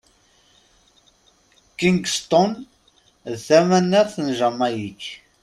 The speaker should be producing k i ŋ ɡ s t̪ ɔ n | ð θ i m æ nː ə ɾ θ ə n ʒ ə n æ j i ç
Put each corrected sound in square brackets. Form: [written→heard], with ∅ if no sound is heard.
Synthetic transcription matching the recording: k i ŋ ɡ s t̪ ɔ n | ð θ [i→æ] m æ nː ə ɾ θ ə n ʒ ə [n→m] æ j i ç